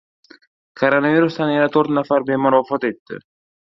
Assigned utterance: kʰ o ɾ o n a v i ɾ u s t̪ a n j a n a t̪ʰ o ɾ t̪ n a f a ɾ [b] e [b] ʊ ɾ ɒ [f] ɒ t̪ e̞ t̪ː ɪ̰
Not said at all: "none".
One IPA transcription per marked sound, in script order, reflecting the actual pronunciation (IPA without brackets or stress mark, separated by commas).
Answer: b, m, f